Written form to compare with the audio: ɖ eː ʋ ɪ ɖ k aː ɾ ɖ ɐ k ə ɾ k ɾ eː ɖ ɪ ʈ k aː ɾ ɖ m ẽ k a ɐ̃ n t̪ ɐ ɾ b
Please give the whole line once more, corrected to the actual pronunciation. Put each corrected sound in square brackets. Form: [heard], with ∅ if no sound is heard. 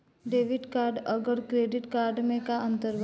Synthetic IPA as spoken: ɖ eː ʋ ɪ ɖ k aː ɾ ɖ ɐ [ɡ] ə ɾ k ɾ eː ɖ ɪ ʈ k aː ɾ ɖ m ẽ k a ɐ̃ n t̪ [ə] ɾ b